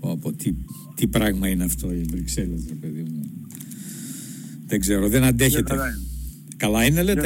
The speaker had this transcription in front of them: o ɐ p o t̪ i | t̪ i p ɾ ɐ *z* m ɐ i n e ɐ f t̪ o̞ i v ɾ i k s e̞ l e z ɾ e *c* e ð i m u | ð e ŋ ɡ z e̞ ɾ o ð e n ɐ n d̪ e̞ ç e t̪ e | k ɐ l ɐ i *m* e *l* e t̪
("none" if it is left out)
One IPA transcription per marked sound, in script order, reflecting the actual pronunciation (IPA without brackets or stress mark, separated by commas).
ɣ, p, n, l